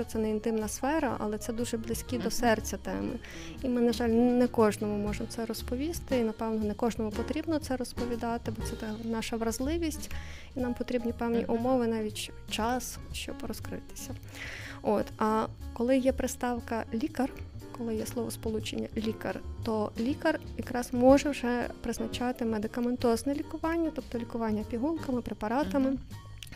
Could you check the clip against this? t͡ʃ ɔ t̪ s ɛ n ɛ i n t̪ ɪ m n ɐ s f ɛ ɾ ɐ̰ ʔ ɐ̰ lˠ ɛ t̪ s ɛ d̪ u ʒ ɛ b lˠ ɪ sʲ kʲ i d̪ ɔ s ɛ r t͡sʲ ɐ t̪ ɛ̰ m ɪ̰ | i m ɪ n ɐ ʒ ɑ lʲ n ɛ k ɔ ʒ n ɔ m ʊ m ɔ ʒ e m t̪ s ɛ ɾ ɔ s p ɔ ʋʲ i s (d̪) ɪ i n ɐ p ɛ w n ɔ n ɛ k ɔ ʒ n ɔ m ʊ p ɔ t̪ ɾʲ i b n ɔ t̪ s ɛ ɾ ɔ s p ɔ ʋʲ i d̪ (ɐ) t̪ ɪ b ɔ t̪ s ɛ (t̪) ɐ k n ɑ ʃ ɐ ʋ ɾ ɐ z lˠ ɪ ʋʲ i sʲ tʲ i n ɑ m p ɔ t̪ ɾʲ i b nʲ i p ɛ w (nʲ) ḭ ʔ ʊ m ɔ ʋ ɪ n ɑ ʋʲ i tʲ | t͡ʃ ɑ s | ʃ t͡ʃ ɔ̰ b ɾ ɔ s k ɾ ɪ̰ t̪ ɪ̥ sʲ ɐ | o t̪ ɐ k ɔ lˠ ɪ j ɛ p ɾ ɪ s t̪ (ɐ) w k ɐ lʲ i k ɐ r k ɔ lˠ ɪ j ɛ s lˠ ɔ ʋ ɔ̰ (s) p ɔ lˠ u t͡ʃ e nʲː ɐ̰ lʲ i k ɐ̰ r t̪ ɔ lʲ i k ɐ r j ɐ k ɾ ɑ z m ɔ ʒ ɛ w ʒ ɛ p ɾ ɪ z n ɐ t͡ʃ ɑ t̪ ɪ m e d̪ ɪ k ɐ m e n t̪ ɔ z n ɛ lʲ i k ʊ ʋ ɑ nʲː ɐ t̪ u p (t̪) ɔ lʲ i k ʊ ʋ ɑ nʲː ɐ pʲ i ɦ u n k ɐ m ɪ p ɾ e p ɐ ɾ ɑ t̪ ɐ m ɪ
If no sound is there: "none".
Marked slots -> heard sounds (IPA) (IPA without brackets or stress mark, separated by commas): t̪, ɑ, t̪, nʲ, ɑ, s, t̪